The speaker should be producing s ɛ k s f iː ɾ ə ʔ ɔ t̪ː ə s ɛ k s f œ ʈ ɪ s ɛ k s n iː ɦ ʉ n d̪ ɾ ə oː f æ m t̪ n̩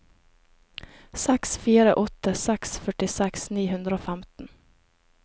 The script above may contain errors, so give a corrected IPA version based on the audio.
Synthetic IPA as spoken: s ɛ k s f iː ɾ ə ʔ ɔ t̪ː ə s ɛ k s f œ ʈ ɪ s ɛ k s n iː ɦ ʉ n d̪ ɾ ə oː f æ m t̪ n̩